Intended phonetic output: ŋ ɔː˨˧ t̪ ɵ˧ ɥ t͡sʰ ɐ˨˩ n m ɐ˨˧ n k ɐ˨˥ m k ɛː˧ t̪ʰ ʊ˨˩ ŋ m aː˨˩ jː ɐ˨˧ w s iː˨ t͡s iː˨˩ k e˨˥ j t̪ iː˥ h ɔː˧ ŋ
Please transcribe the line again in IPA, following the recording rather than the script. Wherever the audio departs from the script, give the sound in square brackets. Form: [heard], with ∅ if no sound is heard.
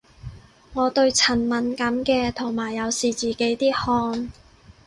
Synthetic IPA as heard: ŋ ɔː˨˧ t̪ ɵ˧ ɥ t͡sʰ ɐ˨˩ n m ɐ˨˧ n k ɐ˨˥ m k ɛː˧ t̪ʰ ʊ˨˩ ŋ m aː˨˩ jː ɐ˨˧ w s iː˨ t͡s iː˨˩ k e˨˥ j t̪ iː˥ h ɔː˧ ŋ